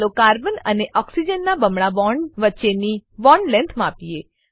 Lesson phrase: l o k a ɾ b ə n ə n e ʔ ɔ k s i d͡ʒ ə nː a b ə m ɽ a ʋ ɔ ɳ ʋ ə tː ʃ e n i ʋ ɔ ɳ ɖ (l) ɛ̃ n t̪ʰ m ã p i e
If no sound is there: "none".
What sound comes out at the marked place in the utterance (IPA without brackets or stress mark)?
l